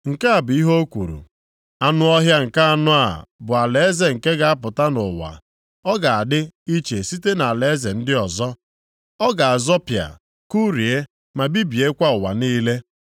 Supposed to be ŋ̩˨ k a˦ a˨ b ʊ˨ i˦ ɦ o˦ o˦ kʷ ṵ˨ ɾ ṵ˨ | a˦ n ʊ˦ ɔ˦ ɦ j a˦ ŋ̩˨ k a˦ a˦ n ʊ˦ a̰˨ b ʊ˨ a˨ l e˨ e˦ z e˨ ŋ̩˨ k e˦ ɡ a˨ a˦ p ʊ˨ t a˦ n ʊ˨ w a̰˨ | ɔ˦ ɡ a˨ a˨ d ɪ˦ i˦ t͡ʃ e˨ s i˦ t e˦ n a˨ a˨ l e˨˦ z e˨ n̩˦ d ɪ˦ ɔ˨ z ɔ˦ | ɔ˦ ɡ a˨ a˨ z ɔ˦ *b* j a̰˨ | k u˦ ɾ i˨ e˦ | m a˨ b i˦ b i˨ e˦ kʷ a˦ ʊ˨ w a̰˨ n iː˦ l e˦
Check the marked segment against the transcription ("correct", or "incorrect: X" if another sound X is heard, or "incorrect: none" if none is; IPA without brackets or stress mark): incorrect: p